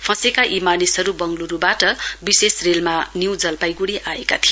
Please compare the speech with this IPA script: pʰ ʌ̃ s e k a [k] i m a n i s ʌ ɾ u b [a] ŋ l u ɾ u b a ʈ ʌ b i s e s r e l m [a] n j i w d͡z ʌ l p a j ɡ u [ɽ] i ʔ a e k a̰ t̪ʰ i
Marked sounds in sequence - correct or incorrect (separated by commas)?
incorrect, incorrect, correct, correct